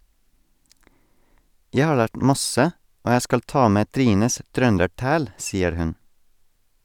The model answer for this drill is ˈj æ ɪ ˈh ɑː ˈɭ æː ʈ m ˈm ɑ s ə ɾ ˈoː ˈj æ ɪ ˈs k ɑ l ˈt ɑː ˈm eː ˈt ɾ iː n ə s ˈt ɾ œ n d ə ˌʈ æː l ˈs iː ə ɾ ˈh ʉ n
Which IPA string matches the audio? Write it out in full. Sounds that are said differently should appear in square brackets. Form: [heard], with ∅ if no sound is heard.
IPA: ˈj æ ɪ ˈh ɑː ˈɭ æː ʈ m ˈm ɑ s ə [∅] ˈoː ˈj æ ɪ ˈs k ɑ l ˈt ɑː ˈm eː ˈt ɾ iː n ə s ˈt ɾ œ n d ə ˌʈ æː l ˈs iː ə ɾ ˈh ʉ n